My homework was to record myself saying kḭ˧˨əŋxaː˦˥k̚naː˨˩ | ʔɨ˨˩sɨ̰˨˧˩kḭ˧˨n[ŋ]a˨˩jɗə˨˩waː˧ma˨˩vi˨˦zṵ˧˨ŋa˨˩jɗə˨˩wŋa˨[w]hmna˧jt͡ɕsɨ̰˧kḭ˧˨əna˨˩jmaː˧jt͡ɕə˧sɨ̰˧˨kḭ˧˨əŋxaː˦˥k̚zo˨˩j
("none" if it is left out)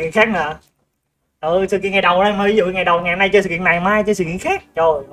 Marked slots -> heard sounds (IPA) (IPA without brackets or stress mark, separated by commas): ŋ, none